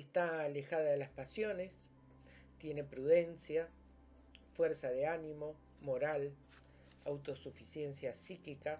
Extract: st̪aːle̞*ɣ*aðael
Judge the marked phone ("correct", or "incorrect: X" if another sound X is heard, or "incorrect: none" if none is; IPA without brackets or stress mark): incorrect: x